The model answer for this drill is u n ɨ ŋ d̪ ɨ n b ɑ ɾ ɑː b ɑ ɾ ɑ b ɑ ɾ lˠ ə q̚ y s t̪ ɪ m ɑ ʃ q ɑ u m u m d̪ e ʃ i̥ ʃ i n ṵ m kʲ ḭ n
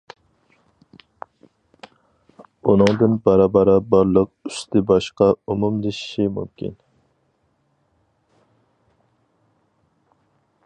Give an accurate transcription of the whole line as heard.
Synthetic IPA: u n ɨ ŋ d̪ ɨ n b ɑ ɾ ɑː b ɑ ɾ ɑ b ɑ ɾ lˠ ə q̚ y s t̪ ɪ b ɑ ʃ q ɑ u m u m d̪ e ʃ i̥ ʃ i m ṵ m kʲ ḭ n